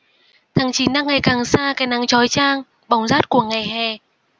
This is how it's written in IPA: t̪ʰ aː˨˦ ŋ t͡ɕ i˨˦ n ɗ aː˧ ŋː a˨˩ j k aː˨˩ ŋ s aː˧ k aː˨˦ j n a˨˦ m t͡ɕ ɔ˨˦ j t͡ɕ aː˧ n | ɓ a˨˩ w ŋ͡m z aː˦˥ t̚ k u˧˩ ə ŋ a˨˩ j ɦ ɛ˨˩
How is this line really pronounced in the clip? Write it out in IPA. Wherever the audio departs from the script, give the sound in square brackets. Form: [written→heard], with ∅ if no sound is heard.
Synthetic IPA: t̪ʰ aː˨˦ ŋ t͡ɕ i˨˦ n ɗ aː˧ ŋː a˨˩ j k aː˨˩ ŋ s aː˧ k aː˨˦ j n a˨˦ [m→ŋ] t͡ɕ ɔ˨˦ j t͡ɕ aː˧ [n→ŋ] | ɓ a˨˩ w ŋ͡m z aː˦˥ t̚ k u˧˩ ə ŋ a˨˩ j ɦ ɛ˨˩